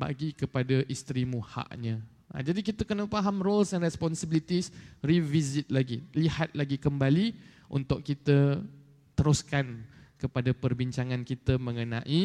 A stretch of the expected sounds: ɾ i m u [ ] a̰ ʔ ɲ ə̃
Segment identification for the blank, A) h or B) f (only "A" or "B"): A